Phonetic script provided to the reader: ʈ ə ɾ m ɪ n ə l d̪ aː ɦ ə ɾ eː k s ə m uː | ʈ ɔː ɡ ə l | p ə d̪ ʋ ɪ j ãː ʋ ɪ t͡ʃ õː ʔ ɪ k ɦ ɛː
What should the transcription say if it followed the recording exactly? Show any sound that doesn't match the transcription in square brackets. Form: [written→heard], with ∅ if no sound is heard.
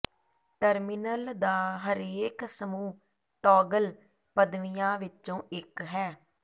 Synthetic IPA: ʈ ə ɾ m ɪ n ə l d̪ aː ɦ ə ɾ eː k s ə m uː | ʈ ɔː ɡ ə l | p ə d̪ ʋ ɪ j ãː ʋ ɪ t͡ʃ õː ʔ ɪ k ɦ ɛː